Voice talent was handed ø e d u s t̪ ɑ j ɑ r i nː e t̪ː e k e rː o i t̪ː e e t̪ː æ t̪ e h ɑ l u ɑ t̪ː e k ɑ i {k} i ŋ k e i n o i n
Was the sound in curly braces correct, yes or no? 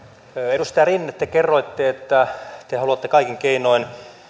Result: yes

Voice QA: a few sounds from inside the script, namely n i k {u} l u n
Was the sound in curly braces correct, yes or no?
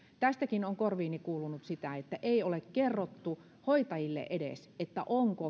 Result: no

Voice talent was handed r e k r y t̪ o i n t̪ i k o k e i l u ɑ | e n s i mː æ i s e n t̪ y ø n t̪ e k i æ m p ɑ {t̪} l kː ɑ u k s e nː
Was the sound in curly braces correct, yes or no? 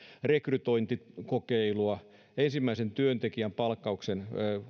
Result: no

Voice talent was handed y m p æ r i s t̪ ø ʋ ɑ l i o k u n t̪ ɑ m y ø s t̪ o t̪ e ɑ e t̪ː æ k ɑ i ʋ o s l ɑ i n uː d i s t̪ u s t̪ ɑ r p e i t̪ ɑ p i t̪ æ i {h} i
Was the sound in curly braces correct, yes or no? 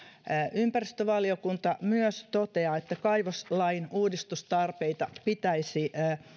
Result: no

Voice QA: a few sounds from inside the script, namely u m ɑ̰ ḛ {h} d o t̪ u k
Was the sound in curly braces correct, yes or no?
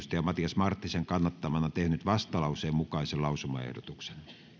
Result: yes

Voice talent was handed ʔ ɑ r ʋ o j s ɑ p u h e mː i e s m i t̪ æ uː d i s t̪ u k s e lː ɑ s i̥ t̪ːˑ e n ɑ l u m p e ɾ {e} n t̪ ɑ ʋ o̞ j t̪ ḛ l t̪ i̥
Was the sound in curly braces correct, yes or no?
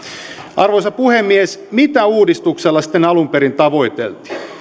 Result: no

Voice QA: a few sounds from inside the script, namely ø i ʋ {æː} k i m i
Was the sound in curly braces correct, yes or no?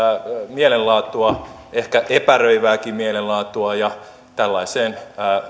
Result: yes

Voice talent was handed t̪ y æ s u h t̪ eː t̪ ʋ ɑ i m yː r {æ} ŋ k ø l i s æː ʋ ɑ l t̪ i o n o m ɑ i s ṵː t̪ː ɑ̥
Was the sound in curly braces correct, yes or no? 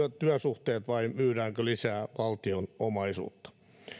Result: no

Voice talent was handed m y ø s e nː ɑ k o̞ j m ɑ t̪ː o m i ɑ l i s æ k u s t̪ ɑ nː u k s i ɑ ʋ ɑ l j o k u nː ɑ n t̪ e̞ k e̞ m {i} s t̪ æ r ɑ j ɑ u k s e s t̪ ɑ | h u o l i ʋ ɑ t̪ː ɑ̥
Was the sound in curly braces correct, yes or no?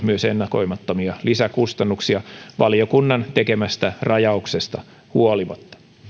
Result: no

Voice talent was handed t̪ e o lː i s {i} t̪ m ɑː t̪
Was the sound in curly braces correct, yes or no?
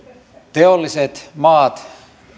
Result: no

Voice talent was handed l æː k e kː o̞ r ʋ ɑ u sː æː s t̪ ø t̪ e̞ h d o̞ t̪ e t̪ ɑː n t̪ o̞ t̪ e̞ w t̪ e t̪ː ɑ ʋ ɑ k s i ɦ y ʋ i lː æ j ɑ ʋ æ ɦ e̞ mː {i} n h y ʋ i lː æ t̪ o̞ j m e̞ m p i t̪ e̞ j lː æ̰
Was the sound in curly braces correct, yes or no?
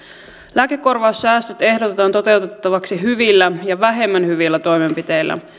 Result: no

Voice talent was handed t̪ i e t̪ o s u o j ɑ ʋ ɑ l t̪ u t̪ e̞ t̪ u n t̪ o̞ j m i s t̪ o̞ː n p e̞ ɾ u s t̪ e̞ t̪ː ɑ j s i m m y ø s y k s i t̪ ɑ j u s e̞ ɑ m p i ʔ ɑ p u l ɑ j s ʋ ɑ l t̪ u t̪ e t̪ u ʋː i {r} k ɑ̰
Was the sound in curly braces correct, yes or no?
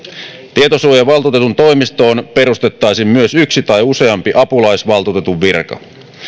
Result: yes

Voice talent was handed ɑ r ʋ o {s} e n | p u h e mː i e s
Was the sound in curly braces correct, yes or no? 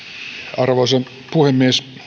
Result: yes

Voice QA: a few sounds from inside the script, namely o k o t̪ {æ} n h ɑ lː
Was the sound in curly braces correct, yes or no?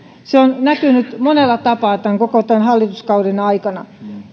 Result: yes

